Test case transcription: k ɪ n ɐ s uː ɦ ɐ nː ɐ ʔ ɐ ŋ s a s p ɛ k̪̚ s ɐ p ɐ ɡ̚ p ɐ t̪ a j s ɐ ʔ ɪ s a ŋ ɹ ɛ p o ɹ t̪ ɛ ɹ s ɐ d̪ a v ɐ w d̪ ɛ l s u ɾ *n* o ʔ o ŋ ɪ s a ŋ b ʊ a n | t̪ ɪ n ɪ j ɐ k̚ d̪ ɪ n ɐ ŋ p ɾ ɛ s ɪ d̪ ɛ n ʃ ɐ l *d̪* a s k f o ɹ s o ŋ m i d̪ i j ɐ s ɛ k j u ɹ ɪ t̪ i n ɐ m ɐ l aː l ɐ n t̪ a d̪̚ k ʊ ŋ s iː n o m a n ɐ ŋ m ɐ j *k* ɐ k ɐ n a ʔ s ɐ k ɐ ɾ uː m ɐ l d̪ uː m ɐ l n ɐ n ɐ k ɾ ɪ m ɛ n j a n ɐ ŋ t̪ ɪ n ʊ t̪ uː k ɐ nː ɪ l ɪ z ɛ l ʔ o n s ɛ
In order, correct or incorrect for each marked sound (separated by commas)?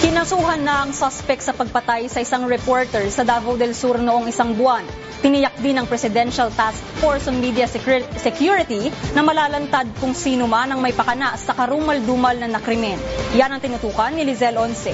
correct, incorrect, incorrect